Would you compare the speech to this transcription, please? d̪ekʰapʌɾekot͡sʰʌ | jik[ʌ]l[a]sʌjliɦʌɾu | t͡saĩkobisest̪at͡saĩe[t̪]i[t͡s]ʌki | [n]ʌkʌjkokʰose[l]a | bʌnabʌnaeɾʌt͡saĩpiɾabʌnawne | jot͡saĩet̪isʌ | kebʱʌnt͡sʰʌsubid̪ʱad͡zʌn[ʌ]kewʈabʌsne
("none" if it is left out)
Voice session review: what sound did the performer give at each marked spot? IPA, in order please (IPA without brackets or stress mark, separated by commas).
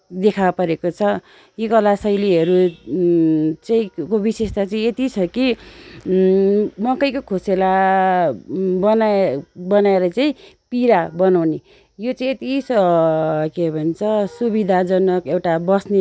ʌ, a, t̪, t͡sʰ, m, l, ʌ